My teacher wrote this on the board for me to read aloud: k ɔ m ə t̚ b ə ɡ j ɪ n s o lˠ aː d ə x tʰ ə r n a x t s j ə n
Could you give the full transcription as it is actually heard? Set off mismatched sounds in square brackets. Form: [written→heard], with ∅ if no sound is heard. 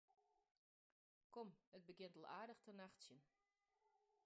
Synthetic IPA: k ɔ m ə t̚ b ə ɡ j ɪ n [s→t] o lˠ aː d ə x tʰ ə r n a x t s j ə n